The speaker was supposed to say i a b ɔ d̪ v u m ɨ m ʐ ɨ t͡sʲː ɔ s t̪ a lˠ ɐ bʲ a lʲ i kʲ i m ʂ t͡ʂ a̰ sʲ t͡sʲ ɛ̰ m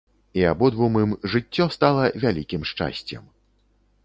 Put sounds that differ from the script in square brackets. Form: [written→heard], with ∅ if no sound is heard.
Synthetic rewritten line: i a b ɔ d̪ v u m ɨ m ʐ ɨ t͡sʲː ɔ s t̪ a lˠ ɐ [bʲ→vʲ] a lʲ i kʲ i m ʂ t͡ʂ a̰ sʲ t͡sʲ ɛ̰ m